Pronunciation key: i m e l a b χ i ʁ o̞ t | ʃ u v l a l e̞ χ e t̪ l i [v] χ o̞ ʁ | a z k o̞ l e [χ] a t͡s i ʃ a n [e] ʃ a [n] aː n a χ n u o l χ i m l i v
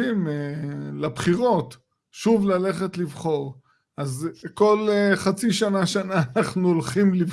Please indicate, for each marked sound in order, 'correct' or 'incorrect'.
correct, correct, incorrect: a, correct

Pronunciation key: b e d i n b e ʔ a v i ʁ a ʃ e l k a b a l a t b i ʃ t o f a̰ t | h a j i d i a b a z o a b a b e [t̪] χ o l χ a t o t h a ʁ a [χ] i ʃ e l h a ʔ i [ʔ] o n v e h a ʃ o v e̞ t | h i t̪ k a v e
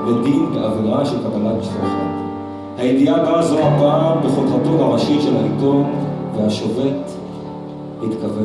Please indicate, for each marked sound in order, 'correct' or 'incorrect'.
incorrect: none, incorrect: ʃ, incorrect: t

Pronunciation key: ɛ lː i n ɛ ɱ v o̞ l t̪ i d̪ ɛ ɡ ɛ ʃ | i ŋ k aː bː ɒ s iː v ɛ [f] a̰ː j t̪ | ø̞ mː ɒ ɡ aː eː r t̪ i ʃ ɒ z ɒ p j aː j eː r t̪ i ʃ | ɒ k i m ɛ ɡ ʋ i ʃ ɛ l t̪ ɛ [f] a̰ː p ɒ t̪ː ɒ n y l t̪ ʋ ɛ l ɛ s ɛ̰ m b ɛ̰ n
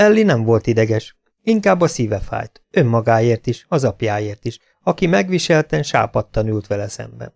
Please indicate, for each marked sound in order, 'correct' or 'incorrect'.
correct, incorrect: ʃ

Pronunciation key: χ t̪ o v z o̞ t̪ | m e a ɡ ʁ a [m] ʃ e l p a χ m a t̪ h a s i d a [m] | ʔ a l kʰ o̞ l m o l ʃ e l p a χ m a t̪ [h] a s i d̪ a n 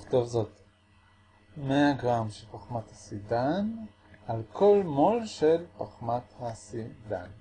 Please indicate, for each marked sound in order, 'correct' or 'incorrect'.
correct, incorrect: n, correct

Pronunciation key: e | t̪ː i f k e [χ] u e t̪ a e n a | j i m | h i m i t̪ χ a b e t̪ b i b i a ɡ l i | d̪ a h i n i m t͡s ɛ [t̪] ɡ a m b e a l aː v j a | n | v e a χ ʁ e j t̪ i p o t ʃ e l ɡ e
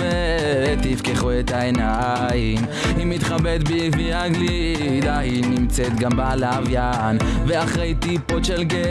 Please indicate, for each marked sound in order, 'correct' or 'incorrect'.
correct, correct

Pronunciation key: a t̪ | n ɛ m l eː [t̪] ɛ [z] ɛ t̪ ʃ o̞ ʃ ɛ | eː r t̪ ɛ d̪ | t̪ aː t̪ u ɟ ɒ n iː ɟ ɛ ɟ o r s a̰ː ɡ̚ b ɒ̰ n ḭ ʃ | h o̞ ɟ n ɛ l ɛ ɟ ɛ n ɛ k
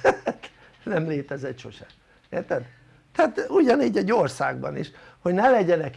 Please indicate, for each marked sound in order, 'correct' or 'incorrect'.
correct, correct

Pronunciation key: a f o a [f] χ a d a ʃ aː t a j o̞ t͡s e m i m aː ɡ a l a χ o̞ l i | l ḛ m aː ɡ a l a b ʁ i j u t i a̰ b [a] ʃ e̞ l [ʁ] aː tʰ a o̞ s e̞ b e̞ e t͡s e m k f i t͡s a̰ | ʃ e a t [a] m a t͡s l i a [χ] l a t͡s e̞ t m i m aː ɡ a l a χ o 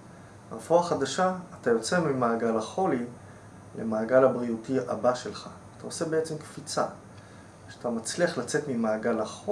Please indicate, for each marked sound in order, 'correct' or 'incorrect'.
incorrect: none, correct, incorrect: χ, correct, correct

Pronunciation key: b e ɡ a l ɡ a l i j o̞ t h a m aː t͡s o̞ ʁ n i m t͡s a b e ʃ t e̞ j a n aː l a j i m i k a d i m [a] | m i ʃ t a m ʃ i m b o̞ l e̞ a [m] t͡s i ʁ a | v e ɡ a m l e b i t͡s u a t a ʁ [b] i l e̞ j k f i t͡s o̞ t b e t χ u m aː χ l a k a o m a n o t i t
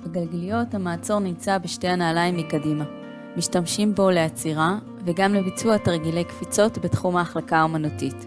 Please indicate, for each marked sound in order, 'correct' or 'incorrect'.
correct, incorrect: none, incorrect: ɡ

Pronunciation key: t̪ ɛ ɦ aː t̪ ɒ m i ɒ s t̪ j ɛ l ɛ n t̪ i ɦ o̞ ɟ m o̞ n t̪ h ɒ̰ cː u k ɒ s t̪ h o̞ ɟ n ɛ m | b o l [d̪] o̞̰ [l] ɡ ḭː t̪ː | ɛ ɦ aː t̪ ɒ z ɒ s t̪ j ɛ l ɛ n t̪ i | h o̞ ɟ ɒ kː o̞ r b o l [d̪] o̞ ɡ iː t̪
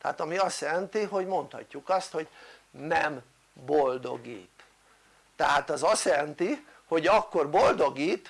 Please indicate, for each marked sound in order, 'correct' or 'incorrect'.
correct, incorrect: none, correct

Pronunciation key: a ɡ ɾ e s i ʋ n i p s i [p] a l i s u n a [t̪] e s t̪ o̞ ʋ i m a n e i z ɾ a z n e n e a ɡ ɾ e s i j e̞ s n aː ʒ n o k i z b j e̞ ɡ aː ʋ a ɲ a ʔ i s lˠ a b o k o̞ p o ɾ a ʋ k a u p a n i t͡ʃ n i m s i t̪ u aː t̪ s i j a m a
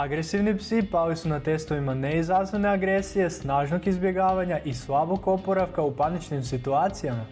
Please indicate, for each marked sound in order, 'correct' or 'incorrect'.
correct, correct

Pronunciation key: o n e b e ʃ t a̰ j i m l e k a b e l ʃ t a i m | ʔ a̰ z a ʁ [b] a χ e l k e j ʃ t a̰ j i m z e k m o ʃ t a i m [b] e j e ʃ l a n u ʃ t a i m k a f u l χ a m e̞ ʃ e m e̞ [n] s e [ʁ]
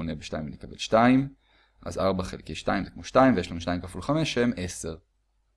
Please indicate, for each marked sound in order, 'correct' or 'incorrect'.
correct, incorrect: v, incorrect: none, correct

